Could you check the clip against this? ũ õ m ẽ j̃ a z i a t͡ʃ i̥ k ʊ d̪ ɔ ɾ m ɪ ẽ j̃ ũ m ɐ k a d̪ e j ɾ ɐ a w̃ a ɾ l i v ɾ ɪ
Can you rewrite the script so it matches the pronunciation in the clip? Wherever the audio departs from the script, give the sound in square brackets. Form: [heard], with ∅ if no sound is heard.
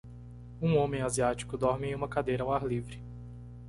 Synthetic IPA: ũ õ m ẽ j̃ a z i a t͡ʃ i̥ k ʊ d̪ ɔ ɾ m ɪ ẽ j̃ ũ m ɐ k a d̪ e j ɾ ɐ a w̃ a ɾ l i v ɾ ɪ